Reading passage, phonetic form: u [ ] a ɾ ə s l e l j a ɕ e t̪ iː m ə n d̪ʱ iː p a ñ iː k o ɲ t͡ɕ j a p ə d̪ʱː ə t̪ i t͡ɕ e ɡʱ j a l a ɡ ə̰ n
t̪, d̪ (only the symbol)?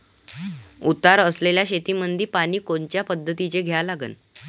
t̪